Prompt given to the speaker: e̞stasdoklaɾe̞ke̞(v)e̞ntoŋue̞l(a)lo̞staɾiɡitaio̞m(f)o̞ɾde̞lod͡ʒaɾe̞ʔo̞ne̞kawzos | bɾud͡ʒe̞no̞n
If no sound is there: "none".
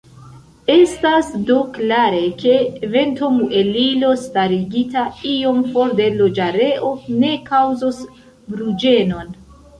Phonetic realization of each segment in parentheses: v, i, f

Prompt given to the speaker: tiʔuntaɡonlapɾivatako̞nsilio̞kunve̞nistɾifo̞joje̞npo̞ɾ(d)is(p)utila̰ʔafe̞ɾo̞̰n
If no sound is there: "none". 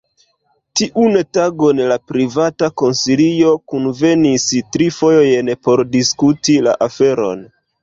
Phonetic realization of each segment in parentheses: d, k

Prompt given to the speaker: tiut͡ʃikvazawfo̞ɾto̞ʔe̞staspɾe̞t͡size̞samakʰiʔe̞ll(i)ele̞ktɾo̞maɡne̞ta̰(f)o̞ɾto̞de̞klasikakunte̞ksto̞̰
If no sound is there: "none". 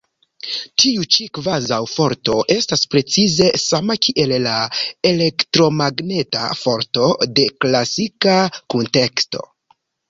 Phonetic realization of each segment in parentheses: a, f

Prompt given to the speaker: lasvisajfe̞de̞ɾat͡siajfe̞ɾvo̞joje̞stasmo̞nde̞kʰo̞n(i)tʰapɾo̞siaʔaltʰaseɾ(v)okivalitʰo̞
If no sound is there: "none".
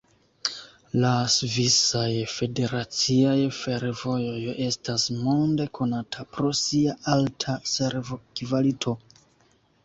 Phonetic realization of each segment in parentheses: a, v

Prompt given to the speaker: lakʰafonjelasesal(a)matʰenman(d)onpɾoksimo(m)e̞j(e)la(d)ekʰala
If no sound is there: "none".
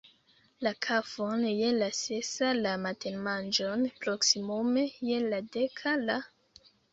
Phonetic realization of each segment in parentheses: a, d͡ʒ, m, e, d

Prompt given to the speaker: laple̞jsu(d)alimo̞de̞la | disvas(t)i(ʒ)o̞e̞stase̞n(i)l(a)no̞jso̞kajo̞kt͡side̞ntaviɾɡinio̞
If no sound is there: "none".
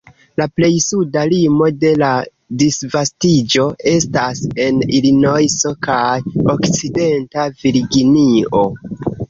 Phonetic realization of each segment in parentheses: d, t, d͡ʒ, i, i

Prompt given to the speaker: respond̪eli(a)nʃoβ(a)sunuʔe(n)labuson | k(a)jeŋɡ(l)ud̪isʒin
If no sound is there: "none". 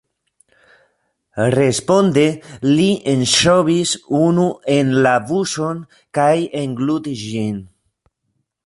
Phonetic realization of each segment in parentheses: e, i, n, a, l

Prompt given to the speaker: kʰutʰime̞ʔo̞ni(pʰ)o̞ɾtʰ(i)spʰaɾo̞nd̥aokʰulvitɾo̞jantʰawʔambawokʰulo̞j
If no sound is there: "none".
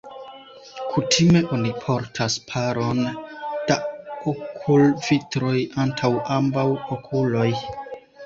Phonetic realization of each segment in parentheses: pʰ, a

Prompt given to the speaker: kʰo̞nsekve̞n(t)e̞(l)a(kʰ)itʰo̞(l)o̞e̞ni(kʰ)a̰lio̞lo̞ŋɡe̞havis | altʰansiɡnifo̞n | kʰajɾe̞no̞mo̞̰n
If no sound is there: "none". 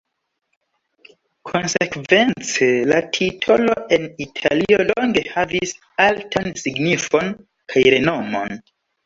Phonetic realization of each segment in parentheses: t͡s, l, tʰ, l, tʰ

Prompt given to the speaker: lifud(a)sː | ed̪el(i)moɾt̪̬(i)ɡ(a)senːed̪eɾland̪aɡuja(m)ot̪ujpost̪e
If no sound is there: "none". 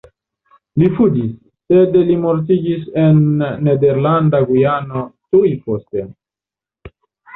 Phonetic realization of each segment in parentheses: i, i, i, i, n

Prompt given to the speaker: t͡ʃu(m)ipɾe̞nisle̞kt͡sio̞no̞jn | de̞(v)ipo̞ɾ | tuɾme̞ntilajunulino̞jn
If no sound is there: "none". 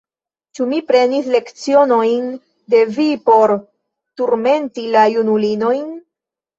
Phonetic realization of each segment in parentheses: m, v

